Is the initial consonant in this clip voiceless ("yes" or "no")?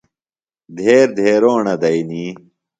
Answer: no